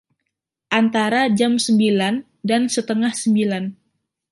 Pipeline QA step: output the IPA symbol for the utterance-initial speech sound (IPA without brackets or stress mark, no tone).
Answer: ʔ